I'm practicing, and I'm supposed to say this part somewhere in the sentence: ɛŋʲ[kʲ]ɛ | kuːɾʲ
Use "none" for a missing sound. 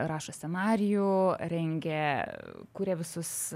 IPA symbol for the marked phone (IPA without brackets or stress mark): ɡʲ